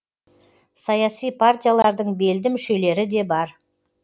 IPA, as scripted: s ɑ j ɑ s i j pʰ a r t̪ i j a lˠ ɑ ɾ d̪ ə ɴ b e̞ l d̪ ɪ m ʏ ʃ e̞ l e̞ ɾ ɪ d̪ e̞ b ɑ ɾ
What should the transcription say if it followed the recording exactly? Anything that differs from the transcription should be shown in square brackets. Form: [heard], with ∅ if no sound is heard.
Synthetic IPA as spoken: s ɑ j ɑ s i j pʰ a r t̪ i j a lˠ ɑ ɾ d̪ ə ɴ b e̞ l d̪ ɪ m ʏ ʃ e̞ l e̞ ɾ ɪ d̪ e̞ b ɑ ɾ

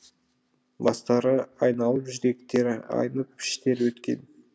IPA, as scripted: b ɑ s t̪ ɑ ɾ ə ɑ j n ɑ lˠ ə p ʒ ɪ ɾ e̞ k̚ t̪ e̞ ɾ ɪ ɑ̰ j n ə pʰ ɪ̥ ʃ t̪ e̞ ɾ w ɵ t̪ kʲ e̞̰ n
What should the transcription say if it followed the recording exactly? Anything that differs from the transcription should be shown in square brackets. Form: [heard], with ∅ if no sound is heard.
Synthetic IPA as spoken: b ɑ s t̪ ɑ ɾ ə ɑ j n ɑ lˠ ə p ʒ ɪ ɾ e̞ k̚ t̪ e̞ ɾ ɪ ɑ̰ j n ə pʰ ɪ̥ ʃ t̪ e̞ ɾ w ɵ t̪ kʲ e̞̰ n

